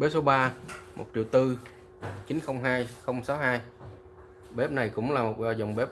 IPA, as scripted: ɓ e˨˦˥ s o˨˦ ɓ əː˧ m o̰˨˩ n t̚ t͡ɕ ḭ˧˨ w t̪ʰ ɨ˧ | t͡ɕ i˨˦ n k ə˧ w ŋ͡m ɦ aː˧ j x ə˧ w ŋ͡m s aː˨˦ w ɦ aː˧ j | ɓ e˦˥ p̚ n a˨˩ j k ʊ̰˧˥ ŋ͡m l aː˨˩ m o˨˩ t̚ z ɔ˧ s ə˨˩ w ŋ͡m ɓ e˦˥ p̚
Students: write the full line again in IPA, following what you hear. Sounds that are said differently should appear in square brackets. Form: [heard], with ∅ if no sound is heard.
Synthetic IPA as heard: ɓ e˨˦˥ s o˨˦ ɓ [aː˧] m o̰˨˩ [∅] t̚ t͡ɕ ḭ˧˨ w [t̪] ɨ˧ | t͡ɕ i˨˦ n [x] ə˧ w ŋ͡m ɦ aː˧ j x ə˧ w ŋ͡m s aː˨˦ w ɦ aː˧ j | ɓ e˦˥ p̚ n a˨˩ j k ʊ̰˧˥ ŋ͡m l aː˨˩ m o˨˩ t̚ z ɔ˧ [z] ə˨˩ w ŋ͡m ɓ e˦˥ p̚